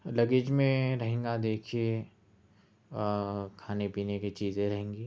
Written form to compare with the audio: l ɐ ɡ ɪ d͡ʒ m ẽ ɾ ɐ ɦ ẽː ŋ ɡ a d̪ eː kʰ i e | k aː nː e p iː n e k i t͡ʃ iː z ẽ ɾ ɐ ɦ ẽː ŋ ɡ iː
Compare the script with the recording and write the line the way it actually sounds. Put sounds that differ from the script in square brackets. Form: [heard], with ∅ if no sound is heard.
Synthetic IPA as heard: l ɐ ɡ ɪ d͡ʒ m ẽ ɾ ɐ ɦ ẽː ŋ ɡ a d̪ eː kʰ i e | [kʰ] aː [n] e p iː n e k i t͡ʃ iː z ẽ ɾ ɐ ɦ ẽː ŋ ɡ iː